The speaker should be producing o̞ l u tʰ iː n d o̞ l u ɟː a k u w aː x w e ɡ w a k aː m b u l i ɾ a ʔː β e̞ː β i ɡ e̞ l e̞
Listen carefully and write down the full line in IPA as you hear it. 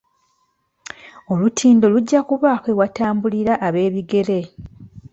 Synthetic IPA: o̞ l u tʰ iː n d o̞ l u ɟː a k u β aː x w e w a t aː m b u l i ɾ a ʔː β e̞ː β i ɡ e̞ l e̞